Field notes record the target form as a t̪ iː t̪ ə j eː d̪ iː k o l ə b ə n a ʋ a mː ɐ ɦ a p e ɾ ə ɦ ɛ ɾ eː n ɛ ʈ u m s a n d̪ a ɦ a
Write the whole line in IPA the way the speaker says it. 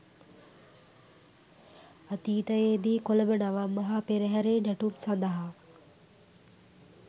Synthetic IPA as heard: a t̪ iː t̪ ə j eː d̪ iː k o l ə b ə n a ʋ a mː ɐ ɦ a p e ɾ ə ɦ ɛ ɾ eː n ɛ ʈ u m s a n d̪ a ɦ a